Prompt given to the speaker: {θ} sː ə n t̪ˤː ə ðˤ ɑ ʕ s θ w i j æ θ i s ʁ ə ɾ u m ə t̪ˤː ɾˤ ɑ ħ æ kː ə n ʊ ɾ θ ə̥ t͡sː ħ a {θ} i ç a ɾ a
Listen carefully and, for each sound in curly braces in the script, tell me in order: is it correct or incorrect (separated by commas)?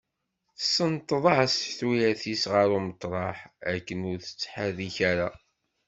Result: correct, incorrect